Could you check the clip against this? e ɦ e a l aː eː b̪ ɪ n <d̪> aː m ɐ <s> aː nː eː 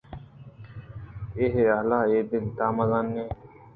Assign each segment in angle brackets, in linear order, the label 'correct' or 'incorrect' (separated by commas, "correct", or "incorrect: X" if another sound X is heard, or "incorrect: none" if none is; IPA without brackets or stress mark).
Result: incorrect: t̪, incorrect: z